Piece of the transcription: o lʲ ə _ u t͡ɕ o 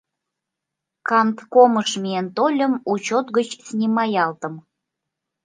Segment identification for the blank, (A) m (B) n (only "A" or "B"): A